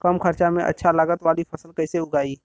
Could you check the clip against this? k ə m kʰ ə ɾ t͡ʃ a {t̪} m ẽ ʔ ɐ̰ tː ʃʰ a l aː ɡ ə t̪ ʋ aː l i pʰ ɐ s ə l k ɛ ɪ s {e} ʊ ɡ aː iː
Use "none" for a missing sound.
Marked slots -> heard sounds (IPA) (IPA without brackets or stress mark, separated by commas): none, e